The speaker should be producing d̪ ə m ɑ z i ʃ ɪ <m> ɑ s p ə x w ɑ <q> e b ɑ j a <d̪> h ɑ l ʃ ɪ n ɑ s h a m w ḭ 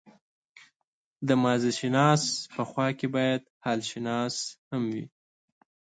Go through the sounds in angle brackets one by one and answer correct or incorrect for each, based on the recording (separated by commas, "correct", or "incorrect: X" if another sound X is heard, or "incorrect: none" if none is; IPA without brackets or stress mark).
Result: incorrect: n, incorrect: k, correct